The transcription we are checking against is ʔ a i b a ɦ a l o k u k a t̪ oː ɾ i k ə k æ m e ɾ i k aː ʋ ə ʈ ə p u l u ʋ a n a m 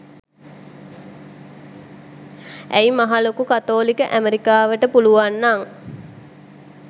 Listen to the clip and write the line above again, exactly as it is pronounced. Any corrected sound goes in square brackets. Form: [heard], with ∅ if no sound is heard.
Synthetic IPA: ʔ [æ] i [m] a ɦ a l o k u k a t̪ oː [l] i k ə [ʔ] æ m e ɾ i k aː ʋ ə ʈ ə p u l u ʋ a [nː] a [ŋ]